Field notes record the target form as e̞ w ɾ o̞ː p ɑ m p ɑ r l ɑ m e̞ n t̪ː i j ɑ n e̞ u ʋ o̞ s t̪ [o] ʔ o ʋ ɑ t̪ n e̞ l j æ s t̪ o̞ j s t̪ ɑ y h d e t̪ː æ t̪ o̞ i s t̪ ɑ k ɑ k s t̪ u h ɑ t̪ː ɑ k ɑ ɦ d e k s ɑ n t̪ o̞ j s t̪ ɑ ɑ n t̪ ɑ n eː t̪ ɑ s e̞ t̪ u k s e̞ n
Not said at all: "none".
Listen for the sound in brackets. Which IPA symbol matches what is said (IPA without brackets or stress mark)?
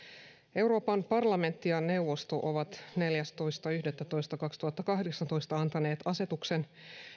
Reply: o